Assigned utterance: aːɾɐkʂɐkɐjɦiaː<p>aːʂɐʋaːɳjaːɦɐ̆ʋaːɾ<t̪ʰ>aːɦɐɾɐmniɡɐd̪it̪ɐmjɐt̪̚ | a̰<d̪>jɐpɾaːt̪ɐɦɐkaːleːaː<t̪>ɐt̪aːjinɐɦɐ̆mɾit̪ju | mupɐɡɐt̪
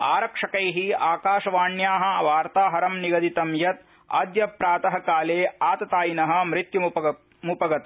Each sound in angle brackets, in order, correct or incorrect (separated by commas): incorrect, incorrect, correct, correct